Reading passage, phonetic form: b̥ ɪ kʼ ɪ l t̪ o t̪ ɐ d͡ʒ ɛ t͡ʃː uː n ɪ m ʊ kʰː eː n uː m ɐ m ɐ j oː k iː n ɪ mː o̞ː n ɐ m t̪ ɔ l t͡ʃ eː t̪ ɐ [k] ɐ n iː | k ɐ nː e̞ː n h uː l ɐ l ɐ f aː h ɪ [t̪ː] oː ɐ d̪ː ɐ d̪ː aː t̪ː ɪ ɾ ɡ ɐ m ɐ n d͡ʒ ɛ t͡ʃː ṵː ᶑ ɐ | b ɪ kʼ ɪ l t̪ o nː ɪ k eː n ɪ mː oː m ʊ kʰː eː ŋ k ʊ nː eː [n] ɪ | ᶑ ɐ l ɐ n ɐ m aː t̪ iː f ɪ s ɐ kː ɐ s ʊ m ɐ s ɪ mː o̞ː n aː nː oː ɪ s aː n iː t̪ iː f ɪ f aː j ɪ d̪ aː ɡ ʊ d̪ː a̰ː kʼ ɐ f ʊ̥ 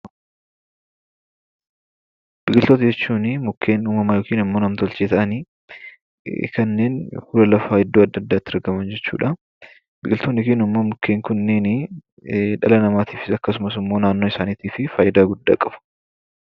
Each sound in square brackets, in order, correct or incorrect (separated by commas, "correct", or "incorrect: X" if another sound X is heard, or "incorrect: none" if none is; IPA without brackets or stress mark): incorrect: ʔ, incorrect: d̪ː, correct